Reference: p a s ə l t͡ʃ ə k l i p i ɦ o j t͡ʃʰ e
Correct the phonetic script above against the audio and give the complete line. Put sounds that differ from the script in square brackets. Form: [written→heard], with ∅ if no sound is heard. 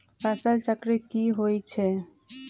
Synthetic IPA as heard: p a s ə l t͡ʃ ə k [l→ɾ] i [p→k] i ɦ o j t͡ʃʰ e